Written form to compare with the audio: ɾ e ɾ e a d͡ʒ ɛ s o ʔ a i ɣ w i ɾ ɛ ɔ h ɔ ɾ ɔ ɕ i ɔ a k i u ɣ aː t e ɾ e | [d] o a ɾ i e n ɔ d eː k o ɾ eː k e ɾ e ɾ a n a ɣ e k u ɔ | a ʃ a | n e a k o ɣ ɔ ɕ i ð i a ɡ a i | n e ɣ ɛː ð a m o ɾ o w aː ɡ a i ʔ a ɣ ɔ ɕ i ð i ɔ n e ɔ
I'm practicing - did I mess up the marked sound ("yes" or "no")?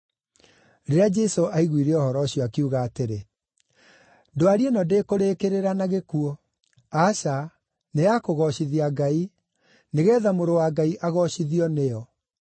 no